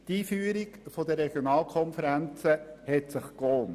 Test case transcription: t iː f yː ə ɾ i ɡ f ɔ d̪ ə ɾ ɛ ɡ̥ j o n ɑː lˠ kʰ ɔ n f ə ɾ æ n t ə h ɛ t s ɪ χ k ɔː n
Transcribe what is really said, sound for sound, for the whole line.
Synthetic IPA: t iː f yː ə ɾ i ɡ f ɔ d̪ ə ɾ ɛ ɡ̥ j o n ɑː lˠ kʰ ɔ n f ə ɾ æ n t͡s ə h ɛ t s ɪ χ k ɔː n